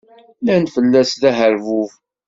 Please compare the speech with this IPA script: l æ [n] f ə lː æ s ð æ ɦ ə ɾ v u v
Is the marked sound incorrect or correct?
correct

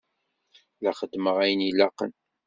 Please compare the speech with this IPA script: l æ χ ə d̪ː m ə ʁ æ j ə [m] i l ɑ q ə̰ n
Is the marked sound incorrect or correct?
incorrect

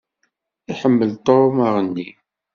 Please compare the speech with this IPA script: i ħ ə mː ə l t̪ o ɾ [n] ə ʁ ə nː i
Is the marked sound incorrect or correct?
incorrect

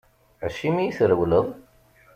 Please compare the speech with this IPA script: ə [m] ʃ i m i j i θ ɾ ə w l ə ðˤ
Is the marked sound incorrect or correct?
incorrect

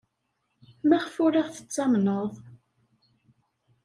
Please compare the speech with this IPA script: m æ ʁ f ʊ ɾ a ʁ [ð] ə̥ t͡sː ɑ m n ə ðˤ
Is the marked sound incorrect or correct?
incorrect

